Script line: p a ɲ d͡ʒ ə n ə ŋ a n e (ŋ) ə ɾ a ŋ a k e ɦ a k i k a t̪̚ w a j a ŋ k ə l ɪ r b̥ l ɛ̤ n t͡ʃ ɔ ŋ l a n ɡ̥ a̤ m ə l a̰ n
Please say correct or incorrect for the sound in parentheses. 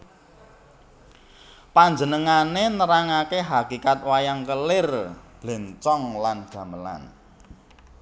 incorrect